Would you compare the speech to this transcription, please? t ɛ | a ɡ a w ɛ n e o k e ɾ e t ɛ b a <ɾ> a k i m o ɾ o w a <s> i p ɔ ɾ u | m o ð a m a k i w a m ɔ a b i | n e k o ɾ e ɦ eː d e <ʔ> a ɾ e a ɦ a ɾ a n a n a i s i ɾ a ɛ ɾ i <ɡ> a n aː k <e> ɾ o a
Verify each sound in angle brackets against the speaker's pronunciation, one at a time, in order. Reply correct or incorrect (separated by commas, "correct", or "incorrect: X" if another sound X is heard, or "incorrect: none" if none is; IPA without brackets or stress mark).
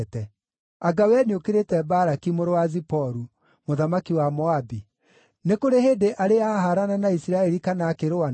correct, incorrect: z, correct, incorrect: k, correct